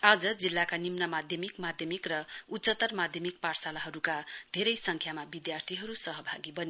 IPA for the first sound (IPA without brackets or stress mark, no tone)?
a